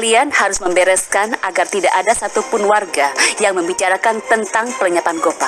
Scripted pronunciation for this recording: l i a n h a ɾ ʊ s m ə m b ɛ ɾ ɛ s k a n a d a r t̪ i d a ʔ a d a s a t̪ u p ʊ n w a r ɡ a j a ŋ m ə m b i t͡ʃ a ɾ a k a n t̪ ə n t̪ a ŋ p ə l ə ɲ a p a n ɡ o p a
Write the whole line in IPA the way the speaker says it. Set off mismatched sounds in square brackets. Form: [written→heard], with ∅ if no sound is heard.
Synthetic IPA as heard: l i a n h a ɾ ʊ s m ə m b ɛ ɾ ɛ s k a n a [d→ɡ] a r t̪ i d a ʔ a d a s a t̪ u p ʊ n w a r ɡ a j a ŋ m ə m b i t͡ʃ a ɾ a k a n t̪ ə n t̪ a ŋ p ə l ə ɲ a p a n ɡ o p a

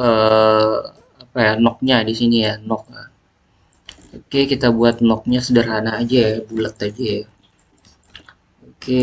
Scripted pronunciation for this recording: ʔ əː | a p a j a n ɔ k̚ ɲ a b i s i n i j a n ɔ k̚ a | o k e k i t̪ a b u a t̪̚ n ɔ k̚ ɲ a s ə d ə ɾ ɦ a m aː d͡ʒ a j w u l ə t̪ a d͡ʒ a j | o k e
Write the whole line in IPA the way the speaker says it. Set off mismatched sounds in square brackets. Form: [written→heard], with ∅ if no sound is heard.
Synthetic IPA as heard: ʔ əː | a p a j a n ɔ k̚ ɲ a [b→d] i s i n i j a n ɔ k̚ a | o k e k i t̪ a b u a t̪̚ n ɔ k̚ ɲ a s ə d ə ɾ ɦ a [m→n] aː d͡ʒ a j [w→b] u l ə t̪ a d͡ʒ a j | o k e

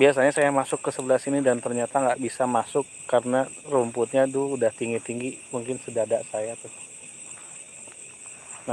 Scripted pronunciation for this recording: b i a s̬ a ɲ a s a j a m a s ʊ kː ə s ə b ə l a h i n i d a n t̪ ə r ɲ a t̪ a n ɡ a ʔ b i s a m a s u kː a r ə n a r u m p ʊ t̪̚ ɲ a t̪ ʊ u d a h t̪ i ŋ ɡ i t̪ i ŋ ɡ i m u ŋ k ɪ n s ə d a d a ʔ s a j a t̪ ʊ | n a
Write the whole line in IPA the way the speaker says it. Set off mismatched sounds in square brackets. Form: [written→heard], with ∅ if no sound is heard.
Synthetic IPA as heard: b i a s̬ a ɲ a s a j a m a s ʊ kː ə s ə b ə l a [h→s] i n i d a n t̪ ə r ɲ a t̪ a [n→ŋ] ɡ a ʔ b i s a m a s [u→ʊ] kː a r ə n a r u m p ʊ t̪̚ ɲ a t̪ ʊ u d a h t̪ i ŋ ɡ i t̪ i ŋ ɡ i m u ŋ k ɪ n s ə d a d a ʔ s a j a t̪ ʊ | n a

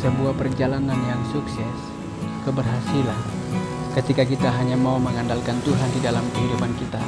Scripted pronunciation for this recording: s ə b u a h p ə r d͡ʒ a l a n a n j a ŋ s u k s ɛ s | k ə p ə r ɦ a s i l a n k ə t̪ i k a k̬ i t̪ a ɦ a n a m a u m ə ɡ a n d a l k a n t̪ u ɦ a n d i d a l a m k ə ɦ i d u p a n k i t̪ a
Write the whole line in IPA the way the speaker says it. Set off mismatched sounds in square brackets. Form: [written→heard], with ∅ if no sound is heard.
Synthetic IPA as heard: s ə b u a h p ə r d͡ʒ a l a n a n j a ŋ s u k s ɛ s | k ə [p→b] ə r ɦ a s i l a n k ə t̪ i k a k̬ i t̪ a ɦ a [n→ɲ] a m a u m ə [ɡ→ŋ] a n d a l k a n t̪ u ɦ a n d i d a l a m k ə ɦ i d u p a n k i t̪ a

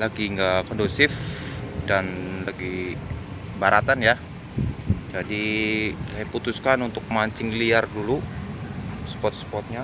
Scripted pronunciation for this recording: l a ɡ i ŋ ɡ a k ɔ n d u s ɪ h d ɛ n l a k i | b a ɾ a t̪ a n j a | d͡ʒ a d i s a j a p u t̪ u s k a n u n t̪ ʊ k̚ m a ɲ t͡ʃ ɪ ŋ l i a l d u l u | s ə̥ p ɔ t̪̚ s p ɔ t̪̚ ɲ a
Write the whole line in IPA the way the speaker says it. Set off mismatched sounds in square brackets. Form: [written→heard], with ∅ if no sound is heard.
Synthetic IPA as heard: l a ɡ i ŋ ɡ a k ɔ n d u s ɪ [h→f] d [ɛ→a] n l a [k→ɡ] i | b a ɾ a t̪ a n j a | d͡ʒ a d i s a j a p u t̪ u s k a n u n t̪ ʊ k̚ m a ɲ t͡ʃ ɪ ŋ l i a [l→r] d u l u | s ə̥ p ɔ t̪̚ s p ɔ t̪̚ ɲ a

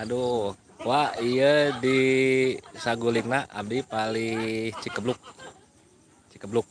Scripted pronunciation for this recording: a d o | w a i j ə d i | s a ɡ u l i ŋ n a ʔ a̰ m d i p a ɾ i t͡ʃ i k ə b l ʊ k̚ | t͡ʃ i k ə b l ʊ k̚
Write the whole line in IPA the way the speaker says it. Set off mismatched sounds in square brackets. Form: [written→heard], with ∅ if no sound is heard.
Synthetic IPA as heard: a d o | w a i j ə d i | s a ɡ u l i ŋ n a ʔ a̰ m d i p a [ɾ→l] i t͡ʃ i k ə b l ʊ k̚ | t͡ʃ i k ə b l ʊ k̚

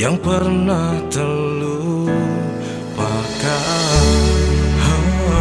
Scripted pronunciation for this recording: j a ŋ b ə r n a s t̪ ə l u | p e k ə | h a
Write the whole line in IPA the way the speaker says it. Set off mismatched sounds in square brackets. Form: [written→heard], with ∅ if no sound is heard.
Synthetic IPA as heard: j a ŋ [b→p] ə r n a [s→h] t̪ ə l u | p [e→a] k [ə→a] | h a

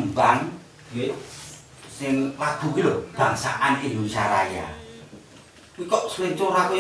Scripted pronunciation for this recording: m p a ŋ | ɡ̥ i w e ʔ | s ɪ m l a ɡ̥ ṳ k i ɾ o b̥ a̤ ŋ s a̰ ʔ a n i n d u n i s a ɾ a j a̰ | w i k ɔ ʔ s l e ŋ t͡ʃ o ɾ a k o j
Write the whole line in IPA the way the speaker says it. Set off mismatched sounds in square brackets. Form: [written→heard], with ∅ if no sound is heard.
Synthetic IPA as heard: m [p→b] a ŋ | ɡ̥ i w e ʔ | s ɪ [m→ŋ] l a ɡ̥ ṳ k i [ɾ→l] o b̥ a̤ ŋ s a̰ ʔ a n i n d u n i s a ɾ a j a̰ | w i k ɔ ʔ s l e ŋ t͡ʃ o ɾ a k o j

